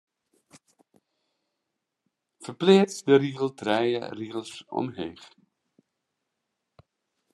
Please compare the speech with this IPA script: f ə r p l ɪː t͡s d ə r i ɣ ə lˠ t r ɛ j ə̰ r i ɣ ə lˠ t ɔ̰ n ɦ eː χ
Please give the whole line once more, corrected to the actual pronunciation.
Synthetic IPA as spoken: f ə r p l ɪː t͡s d ə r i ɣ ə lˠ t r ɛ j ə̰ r i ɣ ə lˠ s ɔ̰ m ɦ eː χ